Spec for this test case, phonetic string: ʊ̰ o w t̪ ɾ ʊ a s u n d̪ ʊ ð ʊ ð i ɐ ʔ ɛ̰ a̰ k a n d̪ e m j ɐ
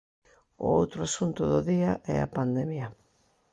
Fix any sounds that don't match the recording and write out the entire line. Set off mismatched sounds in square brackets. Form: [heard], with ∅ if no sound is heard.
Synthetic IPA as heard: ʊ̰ o w t̪ ɾ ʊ a s u n [t̪] ʊ ð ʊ ð i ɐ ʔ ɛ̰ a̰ [p] a n d̪ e m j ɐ